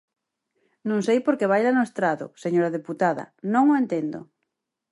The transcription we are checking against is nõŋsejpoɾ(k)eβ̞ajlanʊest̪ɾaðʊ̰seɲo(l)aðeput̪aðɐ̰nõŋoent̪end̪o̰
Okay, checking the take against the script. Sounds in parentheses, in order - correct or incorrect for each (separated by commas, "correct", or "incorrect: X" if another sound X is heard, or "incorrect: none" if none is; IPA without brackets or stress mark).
correct, incorrect: ɾ